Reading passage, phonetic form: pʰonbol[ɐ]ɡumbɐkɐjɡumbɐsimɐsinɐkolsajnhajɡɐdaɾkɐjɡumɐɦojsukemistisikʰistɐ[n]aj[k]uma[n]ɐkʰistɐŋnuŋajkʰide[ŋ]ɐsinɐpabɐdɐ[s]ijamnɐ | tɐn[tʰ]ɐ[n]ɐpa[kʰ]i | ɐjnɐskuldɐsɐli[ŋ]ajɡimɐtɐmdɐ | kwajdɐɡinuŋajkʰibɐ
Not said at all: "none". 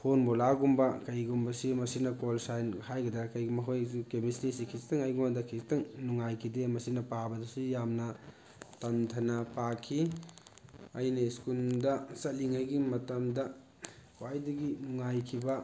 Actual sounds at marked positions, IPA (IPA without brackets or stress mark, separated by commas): a, ŋ, ɡ, d, m, s, tʰ, n, kʰ, ŋ